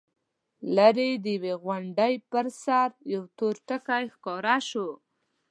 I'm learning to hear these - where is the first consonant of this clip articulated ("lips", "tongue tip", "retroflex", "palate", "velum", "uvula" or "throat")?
tongue tip